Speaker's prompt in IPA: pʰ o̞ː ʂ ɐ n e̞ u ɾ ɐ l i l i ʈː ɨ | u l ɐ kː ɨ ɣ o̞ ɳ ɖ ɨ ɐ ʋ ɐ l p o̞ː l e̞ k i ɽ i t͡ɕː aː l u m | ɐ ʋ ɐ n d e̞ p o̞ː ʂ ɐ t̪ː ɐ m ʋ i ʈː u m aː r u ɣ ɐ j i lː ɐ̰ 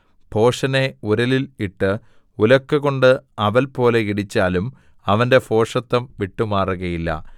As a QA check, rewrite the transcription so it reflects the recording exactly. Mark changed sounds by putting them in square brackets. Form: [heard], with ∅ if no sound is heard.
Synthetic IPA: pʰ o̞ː ʂ ɐ n e̞ u ɾ ɐ l i l i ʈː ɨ | u l ɐ kː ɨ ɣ o̞ ɳ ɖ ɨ ɐ ʋ ɐ l p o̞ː l e̞ k i ɽ i t͡ɕː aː l u m | ɐ ʋ ɐ n d e̞ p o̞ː ʂ ɐ t̪ː ɐ m ʋ i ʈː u m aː r u ɣ ɐ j i lː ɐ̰